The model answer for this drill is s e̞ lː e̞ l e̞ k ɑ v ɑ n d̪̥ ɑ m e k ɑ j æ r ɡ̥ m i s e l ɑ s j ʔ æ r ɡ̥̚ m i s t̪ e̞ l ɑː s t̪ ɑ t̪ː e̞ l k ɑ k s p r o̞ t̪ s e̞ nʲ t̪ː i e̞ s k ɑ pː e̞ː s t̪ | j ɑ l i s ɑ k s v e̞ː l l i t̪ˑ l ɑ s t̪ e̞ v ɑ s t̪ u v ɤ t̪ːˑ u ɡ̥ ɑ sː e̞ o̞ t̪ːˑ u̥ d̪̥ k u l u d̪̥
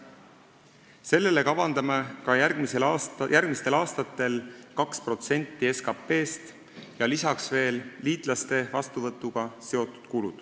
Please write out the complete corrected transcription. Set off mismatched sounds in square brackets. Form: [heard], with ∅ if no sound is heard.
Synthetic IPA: s e̞ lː e̞ l e̞ k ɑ v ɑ n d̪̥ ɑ m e k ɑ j æ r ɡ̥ m i s e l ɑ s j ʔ æ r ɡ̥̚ m i s t̪ e̞ l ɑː s t̪ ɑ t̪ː e̞ l k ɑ k s p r o̞ t̪ s e̞ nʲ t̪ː i e̞ s k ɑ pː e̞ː s t̪ | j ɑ l i s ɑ k s v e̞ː l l [iː] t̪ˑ l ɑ s t̪ e̞ v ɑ s t̪ u v ɤ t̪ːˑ u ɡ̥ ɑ [s] e̞ o̞ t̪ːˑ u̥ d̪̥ k u l u d̪̥

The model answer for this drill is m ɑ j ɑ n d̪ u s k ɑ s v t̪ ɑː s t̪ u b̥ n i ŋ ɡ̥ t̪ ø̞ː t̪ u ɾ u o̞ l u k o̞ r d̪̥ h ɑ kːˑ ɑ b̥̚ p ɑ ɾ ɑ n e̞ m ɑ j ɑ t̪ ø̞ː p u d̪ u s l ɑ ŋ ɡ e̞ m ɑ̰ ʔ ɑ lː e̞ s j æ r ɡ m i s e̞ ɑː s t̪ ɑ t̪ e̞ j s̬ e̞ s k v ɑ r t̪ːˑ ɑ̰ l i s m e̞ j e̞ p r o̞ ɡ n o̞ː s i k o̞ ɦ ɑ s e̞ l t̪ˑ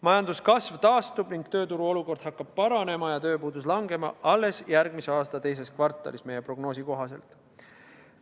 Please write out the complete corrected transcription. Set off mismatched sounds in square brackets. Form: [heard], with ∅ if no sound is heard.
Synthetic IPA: m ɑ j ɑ n d̪ u s k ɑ s v t̪ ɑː s t̪ u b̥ n i ŋ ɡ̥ t̪ ø̞ː t̪ u ɾ u o̞ l u k o̞ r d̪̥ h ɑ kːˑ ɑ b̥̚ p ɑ ɾ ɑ n e̞ m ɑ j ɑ t̪ ø̞ː p [uː] d̪ u s l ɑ ŋ ɡ e̞ m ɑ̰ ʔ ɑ lː e̞ s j æ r ɡ m i s e̞ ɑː s t̪ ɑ t̪ e̞ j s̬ e̞ s k v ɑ r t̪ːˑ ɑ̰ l i s m e̞ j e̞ p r o̞ ɡ n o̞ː s i k o̞ ɦ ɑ s e̞ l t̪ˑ

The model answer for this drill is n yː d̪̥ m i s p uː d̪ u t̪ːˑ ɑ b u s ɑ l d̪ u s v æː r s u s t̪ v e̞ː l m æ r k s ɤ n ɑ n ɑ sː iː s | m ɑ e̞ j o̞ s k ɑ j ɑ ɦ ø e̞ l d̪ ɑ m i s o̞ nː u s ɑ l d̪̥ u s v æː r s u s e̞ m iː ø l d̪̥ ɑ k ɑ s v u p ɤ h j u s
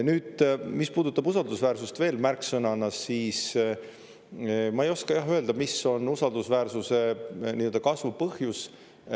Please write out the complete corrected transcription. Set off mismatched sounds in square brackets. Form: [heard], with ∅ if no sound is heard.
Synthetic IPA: n yː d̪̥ m i s p uː d̪ u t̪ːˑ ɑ b u s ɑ l d̪ u s v æː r s u s t̪ v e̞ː l m æ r k s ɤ n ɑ n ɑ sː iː s | m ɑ e̞ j o̞ s k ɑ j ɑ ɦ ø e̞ l d̪ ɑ m i s o̞ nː u s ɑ l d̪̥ u s v æː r s u s e̞ [n] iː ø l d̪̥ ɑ k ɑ s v u p ɤ h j u s

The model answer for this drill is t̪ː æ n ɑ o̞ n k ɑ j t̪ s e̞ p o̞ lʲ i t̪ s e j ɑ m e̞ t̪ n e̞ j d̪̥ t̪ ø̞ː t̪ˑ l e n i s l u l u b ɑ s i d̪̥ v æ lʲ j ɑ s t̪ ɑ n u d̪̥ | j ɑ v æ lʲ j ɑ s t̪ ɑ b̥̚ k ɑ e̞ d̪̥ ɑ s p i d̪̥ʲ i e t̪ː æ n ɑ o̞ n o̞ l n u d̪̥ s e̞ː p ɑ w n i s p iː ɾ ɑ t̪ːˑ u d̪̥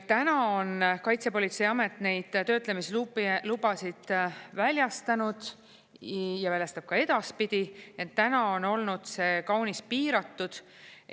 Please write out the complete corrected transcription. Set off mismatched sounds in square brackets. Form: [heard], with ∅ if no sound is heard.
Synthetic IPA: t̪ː æ n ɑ o̞ n k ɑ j t̪ s e̞ p o̞ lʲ i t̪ s e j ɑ m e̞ t̪ n e̞ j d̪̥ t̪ ø̞ː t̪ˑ l e [m] i s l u l u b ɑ s i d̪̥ v æ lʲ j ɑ s t̪ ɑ n u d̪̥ | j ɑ v æ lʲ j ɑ s t̪ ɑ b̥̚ k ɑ e̞ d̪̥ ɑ s p i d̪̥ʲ i e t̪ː æ n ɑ o̞ n o̞ l n u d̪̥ s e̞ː [k] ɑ w n i s p iː ɾ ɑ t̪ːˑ u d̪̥

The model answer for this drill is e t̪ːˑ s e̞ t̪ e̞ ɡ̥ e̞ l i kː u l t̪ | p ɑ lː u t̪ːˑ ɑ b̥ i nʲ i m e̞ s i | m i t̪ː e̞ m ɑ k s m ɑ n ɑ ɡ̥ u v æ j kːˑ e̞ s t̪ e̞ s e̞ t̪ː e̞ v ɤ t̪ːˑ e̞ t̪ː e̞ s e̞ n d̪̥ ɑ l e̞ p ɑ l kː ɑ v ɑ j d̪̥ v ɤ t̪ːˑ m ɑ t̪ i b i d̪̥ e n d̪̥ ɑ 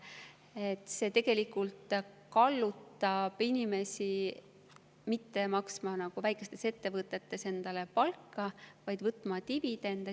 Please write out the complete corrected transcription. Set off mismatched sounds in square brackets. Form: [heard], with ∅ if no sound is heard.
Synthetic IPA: e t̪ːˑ s e̞ t̪ e̞ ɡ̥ e̞ l i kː u l t̪ | [k] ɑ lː u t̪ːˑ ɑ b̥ i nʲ i m e̞ s i | m i t̪ː e̞ m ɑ k s m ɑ n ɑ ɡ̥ u v æ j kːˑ e̞ s t̪ e̞ s e̞ t̪ː e̞ v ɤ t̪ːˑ e̞ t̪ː e̞ s e̞ n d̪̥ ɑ l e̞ p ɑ l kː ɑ v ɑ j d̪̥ v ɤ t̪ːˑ m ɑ t̪ i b i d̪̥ e n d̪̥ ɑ

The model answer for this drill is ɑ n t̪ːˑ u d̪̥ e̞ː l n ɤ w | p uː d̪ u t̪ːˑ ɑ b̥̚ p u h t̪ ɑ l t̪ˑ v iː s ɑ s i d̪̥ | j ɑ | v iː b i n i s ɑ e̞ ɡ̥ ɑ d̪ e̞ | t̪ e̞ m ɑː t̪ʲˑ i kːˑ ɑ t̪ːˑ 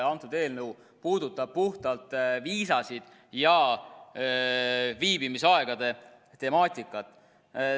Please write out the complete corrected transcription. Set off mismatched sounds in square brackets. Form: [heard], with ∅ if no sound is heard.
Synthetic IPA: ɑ n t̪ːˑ u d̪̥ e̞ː l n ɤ w | p uː d̪ u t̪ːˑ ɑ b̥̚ p u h t̪ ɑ l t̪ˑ v iː s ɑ s i d̪̥ | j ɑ | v iː b i [m] i s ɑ e̞ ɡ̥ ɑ d̪ e̞ | t̪ e̞ m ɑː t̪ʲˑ i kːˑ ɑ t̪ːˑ

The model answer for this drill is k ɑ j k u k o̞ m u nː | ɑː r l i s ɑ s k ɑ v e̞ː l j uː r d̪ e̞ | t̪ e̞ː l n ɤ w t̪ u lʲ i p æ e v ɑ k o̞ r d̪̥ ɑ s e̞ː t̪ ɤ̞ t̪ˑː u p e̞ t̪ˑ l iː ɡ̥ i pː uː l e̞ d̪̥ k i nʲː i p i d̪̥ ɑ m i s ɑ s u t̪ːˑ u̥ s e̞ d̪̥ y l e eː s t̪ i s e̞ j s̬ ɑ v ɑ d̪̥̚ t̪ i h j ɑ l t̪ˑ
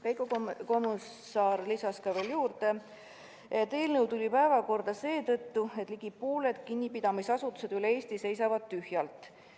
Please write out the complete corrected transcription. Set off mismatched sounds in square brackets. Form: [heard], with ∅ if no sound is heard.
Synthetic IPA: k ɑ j k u k o̞ m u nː | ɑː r l i s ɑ s k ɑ v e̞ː l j uː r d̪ e̞ | t̪ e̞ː l n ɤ w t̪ u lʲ i p æ e v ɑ k o̞ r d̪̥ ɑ s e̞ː t̪ ɤ̞ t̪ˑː u [∅] e̞ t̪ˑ l [i] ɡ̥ i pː uː l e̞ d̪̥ k i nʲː i p i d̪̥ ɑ m i s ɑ s u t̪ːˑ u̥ s e̞ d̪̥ y l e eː s t̪ i s e̞ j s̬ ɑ v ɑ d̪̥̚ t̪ [y] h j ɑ l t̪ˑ

